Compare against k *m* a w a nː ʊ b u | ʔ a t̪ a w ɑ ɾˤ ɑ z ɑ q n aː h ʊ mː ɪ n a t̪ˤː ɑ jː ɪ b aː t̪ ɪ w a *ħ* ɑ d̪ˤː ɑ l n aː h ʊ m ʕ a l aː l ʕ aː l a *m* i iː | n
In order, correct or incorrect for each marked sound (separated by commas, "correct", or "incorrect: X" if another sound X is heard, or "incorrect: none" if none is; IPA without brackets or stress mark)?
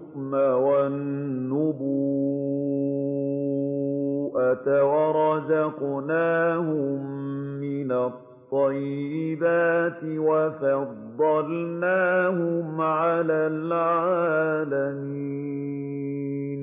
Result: correct, incorrect: f, correct